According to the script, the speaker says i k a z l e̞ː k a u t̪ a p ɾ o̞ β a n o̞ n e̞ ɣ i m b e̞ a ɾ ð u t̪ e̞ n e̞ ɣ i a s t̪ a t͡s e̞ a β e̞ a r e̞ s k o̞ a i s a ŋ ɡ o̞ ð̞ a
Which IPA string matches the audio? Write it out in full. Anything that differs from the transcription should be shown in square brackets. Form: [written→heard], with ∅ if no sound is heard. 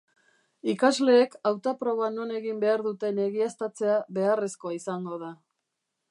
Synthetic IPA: i k a z l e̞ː k a [u→w] t̪ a p ɾ o̞ β a n o̞ n e̞ ɣ i m b e̞ a ɾ ð u t̪ e̞ n e̞ ɣ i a s t̪ a t͡s e̞ a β e̞ a r e̞ s k o̞ a i s a ŋ ɡ o̞ ð̞ a

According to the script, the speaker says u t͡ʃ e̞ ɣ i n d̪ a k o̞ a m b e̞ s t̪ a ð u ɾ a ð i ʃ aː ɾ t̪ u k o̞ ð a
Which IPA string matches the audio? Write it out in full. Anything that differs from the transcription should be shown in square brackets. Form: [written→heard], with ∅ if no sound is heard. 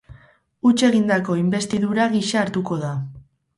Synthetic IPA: u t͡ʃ e̞ ɣ i n d̪ a k o̞ [a→i] m b e̞ s t̪ [a→i] ð u ɾ a [ð→ɣ] i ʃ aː ɾ t̪ u k o̞ ð a

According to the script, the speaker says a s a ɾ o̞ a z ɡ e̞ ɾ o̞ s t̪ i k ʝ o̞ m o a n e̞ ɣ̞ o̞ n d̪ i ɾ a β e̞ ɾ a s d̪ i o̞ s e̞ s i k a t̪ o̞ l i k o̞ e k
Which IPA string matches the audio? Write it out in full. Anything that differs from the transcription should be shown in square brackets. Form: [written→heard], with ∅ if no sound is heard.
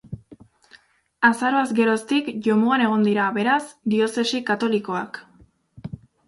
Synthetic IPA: a s a ɾ o̞ a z ɡ e̞ ɾ o̞ s t̪ i k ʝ o̞ m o a n e̞ ɣ̞ o̞ n d̪ i ɾ a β e̞ ɾ a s d̪ i o̞ s e̞ s i k a t̪ o̞ l i k o̞ [e→a] k

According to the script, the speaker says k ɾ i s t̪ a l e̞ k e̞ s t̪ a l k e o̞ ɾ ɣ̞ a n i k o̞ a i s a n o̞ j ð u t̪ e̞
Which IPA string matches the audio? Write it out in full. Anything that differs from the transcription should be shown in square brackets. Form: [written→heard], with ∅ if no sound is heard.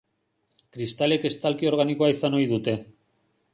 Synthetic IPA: k ɾ i s t̪ a l e̞ k e̞ s t̪ a l k [e→i] o̞ ɾ ɣ̞ a n i k o̞ a i s a n o̞ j ð u t̪ e̞

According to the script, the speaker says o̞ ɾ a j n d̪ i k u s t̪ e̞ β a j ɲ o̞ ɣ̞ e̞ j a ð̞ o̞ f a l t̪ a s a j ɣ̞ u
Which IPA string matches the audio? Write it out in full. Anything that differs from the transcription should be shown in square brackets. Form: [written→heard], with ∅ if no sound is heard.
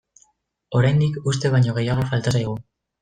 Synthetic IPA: o̞ ɾ a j n d̪ i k u s t̪ e̞ β a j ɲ o̞ ɣ̞ e̞ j a [ð̞→ɣ̞] o̞ f a l t̪ a s a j ɣ̞ u

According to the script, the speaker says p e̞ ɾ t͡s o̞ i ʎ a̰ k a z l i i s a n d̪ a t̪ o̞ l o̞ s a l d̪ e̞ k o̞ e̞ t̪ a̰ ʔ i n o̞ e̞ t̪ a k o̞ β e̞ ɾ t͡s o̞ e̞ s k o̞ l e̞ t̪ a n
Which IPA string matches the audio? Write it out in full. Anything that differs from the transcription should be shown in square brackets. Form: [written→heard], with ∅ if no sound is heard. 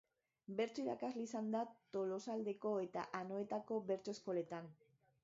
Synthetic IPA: [p→b] e̞ ɾ t͡s o̞ i [ʎ→ɾ] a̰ k a z l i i s a n d̪ a t̪ o̞ l o̞ s a l d̪ e̞ k o̞ e̞ t̪ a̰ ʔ [i→a] n o̞ e̞ t̪ a k o̞ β e̞ ɾ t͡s o̞ e̞ s k o̞ l e̞ t̪ a n

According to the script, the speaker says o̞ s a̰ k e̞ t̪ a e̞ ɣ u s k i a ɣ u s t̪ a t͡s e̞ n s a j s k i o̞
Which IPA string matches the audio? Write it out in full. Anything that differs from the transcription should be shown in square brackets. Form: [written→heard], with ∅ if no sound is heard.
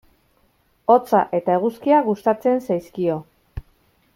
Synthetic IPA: o̞ [s→t͡s] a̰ [k→ʔ] e̞ t̪ a e̞ ɣ u s k i a ɣ u s t̪ a t͡s e̞ n s a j s k i o̞

